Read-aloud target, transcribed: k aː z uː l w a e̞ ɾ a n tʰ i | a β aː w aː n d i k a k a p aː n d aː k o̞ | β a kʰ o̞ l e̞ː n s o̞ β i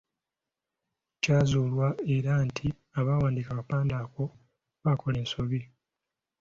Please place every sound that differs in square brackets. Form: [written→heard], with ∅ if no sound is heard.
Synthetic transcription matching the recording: [k→c] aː z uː l w a e̞ ɾ a n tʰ i | a β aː w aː n d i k a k a p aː n d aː k o̞ | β a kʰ o̞ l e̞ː n s o̞ β i